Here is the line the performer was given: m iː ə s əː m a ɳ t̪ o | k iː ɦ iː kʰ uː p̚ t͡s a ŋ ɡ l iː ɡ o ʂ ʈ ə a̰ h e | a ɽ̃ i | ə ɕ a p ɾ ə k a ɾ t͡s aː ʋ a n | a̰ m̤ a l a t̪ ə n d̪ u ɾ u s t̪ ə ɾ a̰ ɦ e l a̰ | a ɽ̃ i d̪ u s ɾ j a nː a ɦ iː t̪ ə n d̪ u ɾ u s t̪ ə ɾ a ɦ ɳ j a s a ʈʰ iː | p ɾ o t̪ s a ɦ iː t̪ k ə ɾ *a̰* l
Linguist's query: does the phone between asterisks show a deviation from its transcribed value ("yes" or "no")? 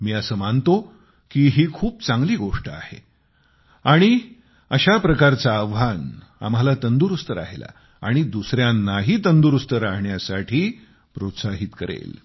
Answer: yes